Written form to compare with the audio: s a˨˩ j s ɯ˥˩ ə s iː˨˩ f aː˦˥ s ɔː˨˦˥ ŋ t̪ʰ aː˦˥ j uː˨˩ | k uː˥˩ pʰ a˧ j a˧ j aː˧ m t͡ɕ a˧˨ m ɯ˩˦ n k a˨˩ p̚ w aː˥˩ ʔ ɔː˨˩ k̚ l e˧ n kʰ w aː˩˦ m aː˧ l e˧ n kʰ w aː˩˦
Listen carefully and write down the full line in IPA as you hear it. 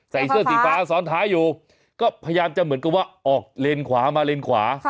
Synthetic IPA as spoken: s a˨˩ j s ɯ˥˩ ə s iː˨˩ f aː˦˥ s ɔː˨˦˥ n t̪ʰ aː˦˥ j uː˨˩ | k ɔː˥˩ pʰ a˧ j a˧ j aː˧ m t͡ɕ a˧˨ m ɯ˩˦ n k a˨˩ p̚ w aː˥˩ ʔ ɔː˨˩ k̚ l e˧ n kʰ w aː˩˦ m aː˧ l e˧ n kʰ w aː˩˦